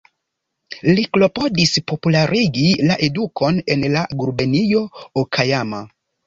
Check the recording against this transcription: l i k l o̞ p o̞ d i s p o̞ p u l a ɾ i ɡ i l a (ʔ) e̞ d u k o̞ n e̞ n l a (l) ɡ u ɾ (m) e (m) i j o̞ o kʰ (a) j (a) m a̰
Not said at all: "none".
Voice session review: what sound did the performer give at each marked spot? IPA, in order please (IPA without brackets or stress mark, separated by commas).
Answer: ʔ, none, b, n, a, a